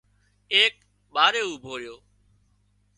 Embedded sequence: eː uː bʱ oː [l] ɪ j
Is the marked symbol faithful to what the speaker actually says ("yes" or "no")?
no